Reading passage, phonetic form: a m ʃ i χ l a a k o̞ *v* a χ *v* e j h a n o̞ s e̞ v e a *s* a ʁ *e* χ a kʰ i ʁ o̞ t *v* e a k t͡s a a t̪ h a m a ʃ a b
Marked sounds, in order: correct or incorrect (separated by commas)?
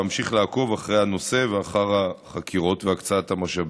correct, incorrect, incorrect, incorrect, correct